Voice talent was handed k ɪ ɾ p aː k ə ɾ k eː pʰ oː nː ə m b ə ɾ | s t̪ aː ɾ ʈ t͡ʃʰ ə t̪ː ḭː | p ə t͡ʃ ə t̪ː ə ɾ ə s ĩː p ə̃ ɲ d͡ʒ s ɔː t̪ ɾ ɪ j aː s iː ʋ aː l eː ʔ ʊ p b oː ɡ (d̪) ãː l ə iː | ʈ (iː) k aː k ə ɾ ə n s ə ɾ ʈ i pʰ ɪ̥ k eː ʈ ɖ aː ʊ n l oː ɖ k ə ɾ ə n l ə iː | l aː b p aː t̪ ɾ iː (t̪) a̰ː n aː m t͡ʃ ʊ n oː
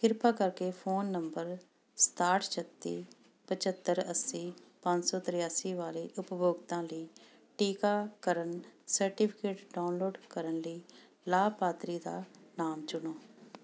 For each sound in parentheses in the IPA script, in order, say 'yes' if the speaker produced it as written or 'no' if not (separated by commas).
no, yes, no